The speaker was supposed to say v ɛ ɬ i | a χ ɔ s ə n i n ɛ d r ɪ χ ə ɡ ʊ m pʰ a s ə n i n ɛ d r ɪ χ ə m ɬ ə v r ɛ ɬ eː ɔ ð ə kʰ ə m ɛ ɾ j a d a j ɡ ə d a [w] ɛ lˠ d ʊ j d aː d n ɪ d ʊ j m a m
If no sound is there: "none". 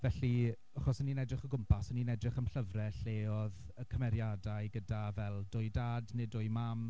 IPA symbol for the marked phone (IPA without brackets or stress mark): v